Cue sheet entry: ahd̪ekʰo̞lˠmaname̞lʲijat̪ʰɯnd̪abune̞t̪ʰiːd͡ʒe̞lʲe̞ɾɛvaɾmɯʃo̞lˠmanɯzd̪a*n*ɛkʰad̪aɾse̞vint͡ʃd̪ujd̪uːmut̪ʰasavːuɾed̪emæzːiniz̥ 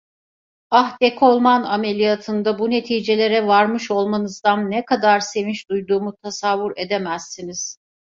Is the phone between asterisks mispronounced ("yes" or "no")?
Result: yes